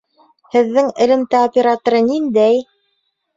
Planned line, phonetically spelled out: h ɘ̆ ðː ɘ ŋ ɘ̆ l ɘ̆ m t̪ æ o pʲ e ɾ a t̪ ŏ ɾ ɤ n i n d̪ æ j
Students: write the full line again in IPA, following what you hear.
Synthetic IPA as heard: h ɘ̆ ðː ɘ ŋ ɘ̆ l ɘ̆ m t̪ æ o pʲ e ɾ a t̪ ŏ ɾ ɤ n i n d̪ æ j

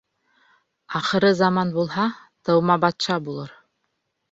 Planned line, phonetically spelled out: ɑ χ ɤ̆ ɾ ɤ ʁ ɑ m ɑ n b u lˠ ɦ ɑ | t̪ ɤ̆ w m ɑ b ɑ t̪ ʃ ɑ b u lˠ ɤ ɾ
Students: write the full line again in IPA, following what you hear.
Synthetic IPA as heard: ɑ χ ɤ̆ ɾ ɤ z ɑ m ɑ n b u lˠ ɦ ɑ | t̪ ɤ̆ w m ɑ b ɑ t̪ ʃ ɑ b u lˠ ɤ ɾ

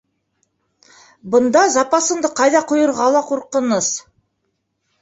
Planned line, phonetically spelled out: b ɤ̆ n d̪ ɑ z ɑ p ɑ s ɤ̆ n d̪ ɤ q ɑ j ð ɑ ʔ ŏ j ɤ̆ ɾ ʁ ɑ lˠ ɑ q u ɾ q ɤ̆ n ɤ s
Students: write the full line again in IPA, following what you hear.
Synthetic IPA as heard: b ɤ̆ n d̪ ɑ z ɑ p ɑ s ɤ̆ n d̪ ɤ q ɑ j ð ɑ q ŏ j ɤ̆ ɾ ʁ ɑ lˠ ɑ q u ɾ q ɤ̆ n ɤ s

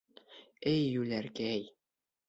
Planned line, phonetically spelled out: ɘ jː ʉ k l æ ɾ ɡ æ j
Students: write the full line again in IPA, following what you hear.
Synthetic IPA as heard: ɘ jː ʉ l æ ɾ k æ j

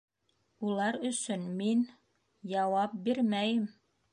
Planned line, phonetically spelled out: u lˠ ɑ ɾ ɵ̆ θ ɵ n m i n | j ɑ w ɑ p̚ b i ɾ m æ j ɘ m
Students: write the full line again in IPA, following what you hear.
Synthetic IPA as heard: u lˠ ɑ ɾ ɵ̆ s ɵ n m i n | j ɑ w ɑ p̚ b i ɾ m æ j ɘ m

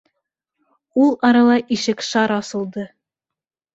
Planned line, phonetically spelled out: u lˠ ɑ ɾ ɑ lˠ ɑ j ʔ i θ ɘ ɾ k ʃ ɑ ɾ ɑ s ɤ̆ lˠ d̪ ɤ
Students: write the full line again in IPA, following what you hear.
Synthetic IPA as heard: u lˠ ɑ ɾ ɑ lˠ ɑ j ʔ i ʃ ɘ k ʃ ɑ ɾ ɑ s ɤ̆ lˠ d̪ ɤ

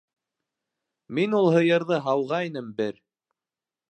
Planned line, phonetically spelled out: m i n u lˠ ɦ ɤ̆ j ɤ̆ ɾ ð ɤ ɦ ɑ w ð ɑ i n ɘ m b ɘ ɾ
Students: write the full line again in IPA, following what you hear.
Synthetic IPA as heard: m i n u lˠ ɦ ɤ̆ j ɤ̆ ɾ ð ɤ ɦ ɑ w ʁ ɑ i n ɘ m b ɘ ɾ

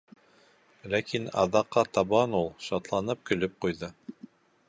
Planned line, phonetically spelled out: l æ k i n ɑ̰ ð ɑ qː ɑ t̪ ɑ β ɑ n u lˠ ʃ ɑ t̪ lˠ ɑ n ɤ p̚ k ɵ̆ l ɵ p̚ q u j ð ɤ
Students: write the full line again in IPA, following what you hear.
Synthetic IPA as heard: l æ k i n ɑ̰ ð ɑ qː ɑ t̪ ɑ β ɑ n u lˠ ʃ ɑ t̪ lˠ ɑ n ɤ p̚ k ɵ̆ l ɵ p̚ q u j ð ɤ

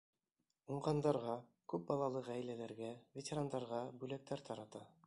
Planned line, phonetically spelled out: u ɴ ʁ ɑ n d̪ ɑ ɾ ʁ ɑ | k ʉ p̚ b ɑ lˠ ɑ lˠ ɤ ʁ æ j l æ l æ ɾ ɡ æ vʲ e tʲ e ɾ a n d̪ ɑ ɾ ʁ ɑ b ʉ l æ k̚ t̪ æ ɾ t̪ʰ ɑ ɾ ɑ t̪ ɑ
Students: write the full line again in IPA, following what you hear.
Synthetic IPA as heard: u ɴ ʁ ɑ n d̪ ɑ ɾ ʁ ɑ | k ʉ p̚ b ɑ lˠ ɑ lˠ ɤ ʁ æ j l æ l æ ɾ ɡ æ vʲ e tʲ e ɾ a n d̪ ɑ ɾ ʁ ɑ b ʉ l æ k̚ t̪ æ ɾ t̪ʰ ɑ ɾ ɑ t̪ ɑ

